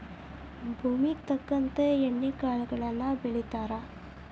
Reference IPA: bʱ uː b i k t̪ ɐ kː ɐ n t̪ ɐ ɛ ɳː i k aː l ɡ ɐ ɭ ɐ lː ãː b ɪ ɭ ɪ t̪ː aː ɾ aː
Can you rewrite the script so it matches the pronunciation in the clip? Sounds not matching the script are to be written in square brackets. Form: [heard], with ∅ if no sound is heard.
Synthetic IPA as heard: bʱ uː [m] i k t̪ ɐ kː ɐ n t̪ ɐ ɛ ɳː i k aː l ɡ ɐ ɭ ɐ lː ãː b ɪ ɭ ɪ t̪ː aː ɾ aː